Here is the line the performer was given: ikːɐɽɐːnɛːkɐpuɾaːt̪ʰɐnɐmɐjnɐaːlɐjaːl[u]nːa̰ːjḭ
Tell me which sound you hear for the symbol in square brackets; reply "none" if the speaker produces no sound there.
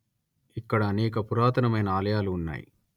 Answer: uː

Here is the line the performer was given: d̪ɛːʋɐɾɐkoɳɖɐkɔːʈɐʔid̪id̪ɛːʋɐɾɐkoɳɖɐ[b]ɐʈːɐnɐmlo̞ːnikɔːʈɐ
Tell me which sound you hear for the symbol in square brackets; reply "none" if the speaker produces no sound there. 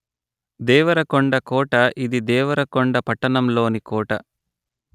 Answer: p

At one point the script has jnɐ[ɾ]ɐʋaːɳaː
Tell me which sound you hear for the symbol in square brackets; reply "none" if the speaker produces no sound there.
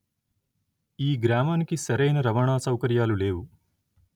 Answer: ɾ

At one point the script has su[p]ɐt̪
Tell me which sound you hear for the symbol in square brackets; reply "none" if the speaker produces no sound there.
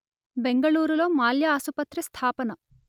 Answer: p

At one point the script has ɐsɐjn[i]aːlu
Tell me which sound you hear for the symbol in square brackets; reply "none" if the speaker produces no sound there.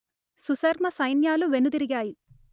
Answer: j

